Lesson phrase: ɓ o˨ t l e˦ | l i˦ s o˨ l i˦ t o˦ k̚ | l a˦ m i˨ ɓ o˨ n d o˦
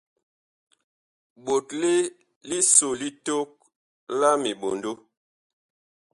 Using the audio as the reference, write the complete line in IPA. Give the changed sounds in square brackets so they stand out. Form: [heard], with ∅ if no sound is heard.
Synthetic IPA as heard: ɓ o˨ t l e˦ | l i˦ s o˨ l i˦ t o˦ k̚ | l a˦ m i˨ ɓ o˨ n d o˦